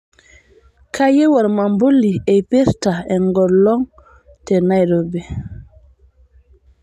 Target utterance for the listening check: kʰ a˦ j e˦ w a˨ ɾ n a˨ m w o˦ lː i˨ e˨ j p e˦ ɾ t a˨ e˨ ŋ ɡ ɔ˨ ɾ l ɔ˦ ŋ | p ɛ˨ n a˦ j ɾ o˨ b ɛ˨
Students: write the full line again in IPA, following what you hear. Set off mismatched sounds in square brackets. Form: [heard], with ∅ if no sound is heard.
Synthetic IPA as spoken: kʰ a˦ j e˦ w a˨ ɾ [m] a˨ m [b] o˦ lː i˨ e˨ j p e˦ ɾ t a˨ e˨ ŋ ɡ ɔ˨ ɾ l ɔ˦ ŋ | [t] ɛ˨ n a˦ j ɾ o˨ b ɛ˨